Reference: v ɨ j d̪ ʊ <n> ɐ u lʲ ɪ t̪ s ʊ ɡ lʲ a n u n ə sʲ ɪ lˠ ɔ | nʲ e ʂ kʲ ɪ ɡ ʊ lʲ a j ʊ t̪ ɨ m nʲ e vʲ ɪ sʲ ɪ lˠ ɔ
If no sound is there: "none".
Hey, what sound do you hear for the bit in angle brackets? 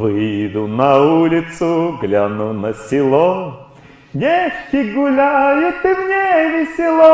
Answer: n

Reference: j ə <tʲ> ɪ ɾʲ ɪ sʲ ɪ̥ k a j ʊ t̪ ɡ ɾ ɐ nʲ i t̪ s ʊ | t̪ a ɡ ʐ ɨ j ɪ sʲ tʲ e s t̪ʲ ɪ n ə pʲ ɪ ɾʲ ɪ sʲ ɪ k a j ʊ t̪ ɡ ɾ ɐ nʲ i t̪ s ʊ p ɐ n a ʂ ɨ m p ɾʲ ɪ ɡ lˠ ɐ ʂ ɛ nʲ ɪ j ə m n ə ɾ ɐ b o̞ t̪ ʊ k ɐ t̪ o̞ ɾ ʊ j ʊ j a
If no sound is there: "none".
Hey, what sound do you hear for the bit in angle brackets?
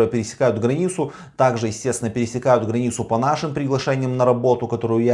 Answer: pʲ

